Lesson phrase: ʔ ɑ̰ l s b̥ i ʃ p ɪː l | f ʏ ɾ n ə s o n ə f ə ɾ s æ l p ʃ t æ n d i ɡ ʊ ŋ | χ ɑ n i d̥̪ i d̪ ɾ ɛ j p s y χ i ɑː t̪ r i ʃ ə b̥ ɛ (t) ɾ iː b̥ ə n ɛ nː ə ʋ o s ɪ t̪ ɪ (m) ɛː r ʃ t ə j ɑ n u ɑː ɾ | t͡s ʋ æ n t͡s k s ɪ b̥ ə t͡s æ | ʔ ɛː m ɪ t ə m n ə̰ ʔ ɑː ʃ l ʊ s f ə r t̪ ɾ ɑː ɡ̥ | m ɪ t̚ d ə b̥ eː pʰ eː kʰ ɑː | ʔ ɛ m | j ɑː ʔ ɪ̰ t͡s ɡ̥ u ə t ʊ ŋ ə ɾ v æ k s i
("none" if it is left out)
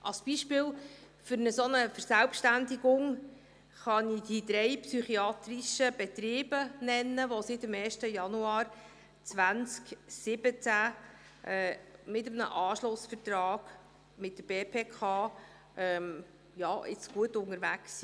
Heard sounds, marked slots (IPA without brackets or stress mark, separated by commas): t, m